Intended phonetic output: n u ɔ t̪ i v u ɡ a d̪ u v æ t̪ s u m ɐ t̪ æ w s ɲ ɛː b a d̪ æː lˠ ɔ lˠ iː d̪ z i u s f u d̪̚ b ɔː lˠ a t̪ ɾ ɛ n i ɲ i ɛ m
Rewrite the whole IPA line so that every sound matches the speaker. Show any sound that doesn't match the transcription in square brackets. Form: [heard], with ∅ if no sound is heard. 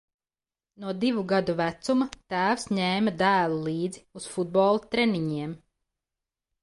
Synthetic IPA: n u ɔ [d̪] i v u ɡ a d̪ u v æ t̪ s u m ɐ t̪ [æː] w s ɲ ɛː [m] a d̪ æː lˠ [u] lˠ iː d̪ z i u s f u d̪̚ b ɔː lˠ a t̪ ɾ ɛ n i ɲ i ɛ m